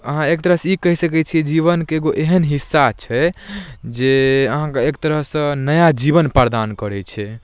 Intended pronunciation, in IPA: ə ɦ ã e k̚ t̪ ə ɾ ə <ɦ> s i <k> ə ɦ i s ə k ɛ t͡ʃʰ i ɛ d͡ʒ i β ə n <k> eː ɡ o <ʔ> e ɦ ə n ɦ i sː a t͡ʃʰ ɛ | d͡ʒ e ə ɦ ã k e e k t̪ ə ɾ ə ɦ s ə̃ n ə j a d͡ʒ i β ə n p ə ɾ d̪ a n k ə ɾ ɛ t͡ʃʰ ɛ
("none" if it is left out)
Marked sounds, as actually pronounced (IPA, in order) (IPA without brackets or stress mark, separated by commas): ɦ, k, k, ʔ